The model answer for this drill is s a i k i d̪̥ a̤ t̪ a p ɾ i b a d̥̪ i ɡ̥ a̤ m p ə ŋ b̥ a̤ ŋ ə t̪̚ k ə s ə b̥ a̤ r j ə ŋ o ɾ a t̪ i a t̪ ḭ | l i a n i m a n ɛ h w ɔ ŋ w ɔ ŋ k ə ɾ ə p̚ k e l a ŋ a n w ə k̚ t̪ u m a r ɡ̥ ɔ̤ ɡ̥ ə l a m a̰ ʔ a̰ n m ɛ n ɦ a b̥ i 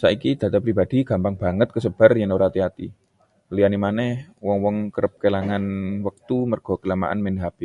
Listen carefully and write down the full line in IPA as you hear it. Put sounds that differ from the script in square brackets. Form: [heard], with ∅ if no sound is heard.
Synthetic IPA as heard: s a i k i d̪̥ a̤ t̪ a p ɾ i b a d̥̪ i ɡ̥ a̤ m p [a] ŋ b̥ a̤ ŋ ə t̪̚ k ə s ə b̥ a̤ r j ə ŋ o ɾ a t̪ i a t̪ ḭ | l i a n i m a n ɛ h w ɔ ŋ w ɔ ŋ k ə ɾ ə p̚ k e l a ŋ a n w ə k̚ t̪ u m [ə] r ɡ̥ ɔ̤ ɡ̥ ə l a m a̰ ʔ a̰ n m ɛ n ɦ a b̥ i